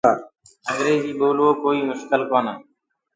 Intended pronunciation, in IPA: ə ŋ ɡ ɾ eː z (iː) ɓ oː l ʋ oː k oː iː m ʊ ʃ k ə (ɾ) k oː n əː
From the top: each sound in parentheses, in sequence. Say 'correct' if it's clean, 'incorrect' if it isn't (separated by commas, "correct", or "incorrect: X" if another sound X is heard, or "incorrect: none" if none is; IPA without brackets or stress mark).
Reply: correct, incorrect: l